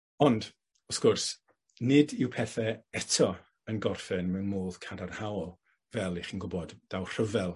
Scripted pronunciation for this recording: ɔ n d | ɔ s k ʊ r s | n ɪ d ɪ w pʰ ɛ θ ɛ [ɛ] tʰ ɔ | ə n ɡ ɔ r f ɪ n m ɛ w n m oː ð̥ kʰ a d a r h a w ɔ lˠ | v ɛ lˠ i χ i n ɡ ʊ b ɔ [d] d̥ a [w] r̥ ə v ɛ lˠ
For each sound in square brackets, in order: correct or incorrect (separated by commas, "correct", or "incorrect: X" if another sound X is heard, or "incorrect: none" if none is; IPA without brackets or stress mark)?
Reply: correct, correct, correct